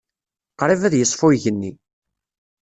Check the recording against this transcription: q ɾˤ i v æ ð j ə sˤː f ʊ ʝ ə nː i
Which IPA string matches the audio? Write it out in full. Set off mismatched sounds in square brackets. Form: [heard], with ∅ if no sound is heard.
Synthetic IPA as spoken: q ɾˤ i v æ ð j ə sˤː f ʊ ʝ ə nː i